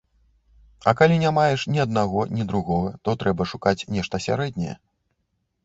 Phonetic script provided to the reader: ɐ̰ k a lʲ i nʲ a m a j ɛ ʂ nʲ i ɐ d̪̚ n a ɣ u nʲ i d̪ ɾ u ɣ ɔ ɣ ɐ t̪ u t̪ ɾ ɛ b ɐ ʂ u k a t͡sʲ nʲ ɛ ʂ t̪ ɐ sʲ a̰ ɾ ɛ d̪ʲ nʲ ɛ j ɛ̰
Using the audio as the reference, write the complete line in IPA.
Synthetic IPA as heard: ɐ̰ k a lʲ i nʲ a m a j ɛ ʂ nʲ i ɐ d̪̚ n a ɣ ɔ nʲ i d̪ ɾ u ɣ ɔ ɣ ɐ t̪ ɔ t̪ ɾ ɛ b ɐ ʂ u k a t͡sʲ nʲ ɛ ʂ t̪ ɐ sʲ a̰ ɾ ɛ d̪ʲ nʲ ɛ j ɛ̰